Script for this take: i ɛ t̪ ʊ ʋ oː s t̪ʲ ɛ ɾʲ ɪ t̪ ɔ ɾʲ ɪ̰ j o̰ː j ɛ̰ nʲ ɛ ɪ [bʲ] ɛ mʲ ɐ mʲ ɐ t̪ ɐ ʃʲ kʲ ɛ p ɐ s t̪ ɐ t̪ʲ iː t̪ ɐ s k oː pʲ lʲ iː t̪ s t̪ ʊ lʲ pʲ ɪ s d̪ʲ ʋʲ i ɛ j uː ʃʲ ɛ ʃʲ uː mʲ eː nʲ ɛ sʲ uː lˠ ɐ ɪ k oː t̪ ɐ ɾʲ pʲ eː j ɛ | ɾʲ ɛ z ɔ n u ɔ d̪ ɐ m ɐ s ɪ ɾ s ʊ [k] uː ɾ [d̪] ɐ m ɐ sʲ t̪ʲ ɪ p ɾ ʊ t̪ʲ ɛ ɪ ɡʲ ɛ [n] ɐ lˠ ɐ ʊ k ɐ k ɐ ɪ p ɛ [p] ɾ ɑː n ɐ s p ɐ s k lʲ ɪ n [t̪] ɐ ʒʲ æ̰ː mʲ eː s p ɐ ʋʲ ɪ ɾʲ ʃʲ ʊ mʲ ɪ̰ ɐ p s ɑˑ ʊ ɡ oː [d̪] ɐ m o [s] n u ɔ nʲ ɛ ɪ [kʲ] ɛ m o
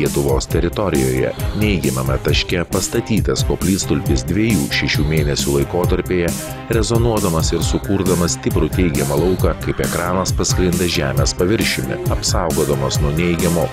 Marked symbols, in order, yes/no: no, yes, yes, no, no, no, yes, yes, no

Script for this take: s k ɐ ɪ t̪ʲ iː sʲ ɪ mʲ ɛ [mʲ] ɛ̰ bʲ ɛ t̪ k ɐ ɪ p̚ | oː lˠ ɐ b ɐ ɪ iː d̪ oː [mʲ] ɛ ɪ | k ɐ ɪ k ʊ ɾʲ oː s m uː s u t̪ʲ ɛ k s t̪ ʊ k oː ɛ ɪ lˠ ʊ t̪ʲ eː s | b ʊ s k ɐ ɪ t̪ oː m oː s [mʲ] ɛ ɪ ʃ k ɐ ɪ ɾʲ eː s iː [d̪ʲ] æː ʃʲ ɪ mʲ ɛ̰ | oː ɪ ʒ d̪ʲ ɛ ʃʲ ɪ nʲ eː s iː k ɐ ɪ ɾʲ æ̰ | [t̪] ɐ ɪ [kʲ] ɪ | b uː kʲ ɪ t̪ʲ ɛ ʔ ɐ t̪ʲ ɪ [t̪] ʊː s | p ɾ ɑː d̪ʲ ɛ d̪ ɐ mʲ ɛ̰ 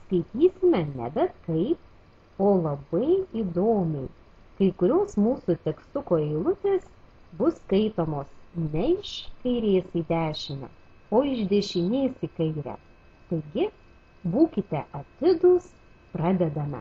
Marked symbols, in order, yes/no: no, yes, no, yes, yes, no, no

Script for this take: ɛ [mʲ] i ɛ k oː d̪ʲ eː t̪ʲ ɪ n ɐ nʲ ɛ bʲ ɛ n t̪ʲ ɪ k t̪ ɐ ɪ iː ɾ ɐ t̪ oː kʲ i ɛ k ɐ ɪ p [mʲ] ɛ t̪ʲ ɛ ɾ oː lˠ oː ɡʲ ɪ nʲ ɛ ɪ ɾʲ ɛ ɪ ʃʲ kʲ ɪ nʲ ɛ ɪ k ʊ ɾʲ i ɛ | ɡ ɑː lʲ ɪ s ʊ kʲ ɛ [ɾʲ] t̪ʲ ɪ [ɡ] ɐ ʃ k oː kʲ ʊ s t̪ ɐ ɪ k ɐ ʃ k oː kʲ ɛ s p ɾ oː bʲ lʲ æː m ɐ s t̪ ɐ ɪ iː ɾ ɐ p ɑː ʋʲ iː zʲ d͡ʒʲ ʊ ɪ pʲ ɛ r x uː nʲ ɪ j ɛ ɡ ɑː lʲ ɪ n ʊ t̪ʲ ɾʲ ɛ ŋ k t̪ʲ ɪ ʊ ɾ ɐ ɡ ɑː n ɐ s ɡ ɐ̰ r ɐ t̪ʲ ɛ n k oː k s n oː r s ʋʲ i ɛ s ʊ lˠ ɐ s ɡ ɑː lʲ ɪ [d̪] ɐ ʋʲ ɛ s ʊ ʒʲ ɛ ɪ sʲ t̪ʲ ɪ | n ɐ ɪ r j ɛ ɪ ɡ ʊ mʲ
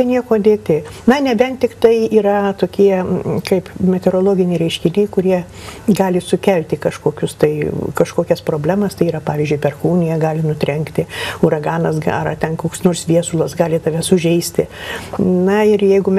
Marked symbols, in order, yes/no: no, yes, no, no, no

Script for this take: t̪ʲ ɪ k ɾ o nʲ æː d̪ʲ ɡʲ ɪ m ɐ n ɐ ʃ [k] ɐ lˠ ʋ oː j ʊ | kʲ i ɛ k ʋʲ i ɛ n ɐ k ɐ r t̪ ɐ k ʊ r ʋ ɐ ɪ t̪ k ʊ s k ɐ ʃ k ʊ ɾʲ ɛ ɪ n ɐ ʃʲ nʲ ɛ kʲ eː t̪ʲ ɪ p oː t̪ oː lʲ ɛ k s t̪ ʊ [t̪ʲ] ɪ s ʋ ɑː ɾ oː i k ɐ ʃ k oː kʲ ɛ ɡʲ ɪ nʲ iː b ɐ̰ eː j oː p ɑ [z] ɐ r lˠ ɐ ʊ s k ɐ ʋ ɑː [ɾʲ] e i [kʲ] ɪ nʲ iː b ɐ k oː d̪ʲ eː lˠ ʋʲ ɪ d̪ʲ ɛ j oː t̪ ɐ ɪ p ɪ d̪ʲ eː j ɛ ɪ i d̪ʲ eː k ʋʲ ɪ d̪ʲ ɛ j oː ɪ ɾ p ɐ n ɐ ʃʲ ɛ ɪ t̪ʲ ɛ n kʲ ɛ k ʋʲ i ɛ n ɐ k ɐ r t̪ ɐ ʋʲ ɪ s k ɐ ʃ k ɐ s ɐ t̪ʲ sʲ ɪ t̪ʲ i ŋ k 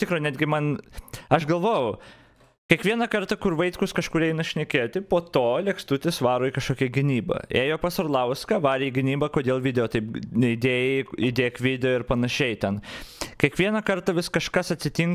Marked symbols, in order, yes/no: no, yes, no, yes, no

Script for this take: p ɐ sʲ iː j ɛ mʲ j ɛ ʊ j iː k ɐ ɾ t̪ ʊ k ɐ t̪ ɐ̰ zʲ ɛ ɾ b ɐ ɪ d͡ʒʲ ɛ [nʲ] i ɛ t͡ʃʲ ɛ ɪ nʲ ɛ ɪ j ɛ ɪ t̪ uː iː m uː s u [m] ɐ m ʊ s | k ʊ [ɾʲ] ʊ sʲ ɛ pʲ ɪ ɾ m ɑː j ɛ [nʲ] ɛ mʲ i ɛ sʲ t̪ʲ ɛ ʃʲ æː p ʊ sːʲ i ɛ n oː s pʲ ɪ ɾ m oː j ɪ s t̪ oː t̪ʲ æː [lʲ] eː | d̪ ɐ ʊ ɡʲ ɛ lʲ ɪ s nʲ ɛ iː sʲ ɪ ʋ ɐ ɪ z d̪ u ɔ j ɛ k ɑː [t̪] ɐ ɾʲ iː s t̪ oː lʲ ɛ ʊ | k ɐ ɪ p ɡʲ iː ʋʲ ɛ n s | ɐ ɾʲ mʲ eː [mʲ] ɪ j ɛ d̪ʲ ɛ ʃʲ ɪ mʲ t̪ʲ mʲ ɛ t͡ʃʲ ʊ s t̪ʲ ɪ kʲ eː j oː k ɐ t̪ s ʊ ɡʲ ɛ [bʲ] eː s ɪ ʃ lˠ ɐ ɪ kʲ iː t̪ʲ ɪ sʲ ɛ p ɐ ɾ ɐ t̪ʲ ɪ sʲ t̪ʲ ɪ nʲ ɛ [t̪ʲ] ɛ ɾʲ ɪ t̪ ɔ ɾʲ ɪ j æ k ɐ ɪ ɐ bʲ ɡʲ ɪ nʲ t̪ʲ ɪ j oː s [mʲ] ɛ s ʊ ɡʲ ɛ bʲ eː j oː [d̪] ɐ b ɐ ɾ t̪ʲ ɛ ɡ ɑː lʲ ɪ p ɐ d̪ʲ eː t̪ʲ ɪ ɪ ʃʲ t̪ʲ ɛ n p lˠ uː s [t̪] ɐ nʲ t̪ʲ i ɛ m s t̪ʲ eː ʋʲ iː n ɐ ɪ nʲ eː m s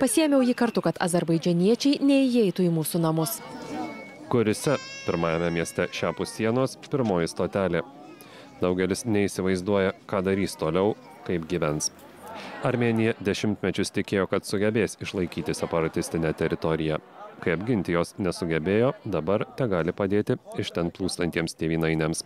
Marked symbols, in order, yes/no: yes, no, yes, no, yes, no, no, yes, yes, no, yes, yes

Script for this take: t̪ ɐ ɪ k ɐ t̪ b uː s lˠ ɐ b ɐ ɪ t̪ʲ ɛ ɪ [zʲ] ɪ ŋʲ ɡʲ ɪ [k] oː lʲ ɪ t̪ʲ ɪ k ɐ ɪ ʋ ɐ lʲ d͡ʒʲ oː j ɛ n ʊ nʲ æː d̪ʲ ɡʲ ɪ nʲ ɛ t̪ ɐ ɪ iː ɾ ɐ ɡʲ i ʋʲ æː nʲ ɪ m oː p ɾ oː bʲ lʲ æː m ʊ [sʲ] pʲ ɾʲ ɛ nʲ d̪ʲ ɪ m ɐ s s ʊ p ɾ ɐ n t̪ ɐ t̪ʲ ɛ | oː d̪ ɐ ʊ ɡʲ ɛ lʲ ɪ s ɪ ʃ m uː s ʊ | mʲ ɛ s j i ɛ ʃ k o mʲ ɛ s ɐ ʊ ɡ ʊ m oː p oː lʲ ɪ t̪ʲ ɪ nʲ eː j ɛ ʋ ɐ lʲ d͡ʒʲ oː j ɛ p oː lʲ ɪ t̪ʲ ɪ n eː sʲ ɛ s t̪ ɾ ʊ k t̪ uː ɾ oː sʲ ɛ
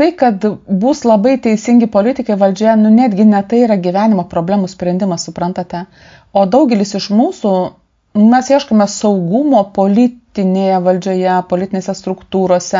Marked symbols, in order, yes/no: no, no, yes

